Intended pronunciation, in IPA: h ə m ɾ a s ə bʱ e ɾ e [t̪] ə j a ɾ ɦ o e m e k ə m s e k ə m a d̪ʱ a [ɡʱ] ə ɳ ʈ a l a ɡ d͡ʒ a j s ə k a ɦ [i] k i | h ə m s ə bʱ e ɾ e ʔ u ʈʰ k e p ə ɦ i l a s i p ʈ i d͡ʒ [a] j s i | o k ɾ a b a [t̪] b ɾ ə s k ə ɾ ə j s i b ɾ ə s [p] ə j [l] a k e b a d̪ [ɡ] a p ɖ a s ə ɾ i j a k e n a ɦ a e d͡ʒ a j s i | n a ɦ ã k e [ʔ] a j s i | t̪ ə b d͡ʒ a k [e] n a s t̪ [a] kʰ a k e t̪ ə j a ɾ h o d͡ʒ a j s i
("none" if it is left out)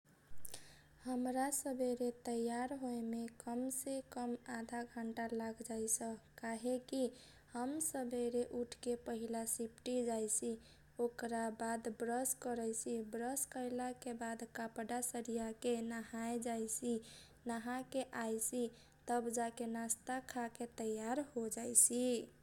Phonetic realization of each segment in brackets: t̪, ɡʱ, e, a, d̪, k, l, k, ʔ, e, a

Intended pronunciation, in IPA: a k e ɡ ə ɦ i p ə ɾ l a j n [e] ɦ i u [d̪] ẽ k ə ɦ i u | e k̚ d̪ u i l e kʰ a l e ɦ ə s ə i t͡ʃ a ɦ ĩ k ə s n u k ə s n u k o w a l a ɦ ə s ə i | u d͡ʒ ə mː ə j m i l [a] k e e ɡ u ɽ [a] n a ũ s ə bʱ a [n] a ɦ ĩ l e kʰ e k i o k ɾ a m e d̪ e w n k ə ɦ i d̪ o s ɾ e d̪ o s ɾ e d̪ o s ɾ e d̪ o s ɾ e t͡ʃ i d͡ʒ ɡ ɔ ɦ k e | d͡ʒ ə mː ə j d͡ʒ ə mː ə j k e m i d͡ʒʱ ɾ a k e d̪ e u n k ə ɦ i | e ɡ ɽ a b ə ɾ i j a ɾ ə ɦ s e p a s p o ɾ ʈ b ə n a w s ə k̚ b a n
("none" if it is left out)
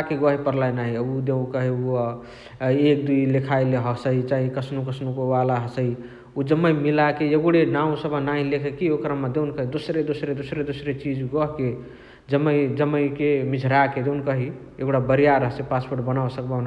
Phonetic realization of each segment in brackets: a, d̪, a, e, n

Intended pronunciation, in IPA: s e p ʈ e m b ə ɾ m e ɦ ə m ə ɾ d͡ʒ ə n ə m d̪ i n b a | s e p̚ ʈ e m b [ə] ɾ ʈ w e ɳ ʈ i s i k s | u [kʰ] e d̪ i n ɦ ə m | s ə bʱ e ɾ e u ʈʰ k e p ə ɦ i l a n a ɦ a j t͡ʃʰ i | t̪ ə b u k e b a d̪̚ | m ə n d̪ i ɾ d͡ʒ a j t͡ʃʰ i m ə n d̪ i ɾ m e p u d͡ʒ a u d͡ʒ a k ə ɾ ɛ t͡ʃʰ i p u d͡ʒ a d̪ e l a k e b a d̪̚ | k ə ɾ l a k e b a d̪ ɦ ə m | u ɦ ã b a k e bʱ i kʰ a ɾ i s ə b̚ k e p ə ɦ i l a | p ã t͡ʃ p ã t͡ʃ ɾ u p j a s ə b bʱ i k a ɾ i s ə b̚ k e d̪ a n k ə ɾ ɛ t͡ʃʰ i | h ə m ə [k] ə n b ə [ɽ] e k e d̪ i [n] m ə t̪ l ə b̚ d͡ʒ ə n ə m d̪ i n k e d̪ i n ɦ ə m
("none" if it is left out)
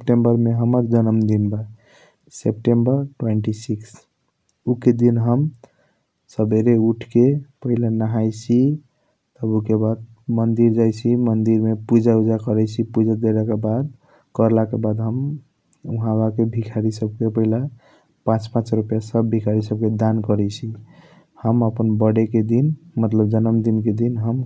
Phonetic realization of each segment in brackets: ə, k, p, ɽ, n

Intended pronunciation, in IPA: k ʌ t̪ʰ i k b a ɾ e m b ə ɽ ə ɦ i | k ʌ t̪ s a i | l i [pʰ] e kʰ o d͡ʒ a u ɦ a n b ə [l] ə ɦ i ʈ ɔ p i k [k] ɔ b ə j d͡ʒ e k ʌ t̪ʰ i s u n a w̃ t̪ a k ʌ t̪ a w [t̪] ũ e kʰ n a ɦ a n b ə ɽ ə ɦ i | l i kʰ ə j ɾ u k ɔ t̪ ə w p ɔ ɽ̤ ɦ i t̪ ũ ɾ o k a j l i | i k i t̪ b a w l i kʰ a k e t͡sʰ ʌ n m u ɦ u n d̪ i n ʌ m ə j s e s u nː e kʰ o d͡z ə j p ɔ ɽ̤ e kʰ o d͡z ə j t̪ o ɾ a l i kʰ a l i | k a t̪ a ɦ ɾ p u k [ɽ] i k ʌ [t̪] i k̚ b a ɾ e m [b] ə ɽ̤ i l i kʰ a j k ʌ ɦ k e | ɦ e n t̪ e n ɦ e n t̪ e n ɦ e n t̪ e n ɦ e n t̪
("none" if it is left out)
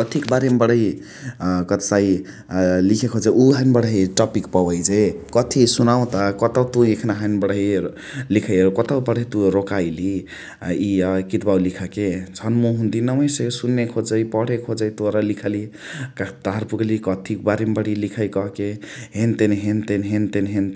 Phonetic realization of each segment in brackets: kʰ, ɽ, p, t̪, l, t̪ʰ, b

